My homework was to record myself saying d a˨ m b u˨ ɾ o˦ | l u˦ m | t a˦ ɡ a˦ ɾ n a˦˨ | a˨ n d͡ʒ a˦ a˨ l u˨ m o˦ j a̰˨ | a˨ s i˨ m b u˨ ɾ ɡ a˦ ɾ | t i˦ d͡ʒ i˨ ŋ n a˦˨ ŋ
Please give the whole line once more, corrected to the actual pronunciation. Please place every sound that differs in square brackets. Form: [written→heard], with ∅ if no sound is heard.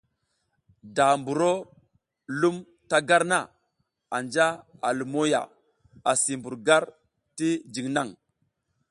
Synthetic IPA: d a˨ m b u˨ ɾ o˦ | l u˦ m | t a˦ ɡ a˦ ɾ n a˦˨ | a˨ n d͡ʒ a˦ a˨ l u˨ m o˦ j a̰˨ | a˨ s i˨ m b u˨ ɾ ɡ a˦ ɾ | t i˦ d͡ʒ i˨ ŋ n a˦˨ ŋ